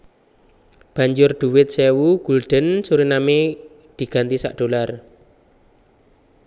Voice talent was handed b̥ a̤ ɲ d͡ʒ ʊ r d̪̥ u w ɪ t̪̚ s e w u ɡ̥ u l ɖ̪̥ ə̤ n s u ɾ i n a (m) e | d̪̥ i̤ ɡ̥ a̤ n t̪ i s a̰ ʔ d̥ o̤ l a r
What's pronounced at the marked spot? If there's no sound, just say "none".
m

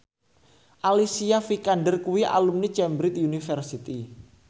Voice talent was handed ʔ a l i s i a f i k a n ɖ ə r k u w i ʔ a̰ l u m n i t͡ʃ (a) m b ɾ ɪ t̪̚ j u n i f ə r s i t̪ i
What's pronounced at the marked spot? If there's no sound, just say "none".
ɛ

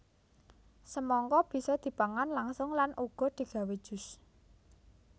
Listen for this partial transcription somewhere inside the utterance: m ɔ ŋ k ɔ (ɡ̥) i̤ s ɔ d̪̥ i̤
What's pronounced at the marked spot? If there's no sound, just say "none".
b̥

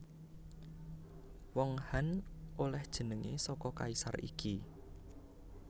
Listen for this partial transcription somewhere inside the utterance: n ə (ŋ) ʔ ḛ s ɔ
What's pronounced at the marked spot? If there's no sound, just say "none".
ŋ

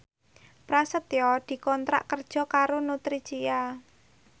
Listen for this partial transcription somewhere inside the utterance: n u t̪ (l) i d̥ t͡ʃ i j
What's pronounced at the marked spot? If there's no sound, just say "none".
ɾ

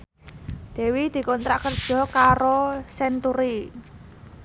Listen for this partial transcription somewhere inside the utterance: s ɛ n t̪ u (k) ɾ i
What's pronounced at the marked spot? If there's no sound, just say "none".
none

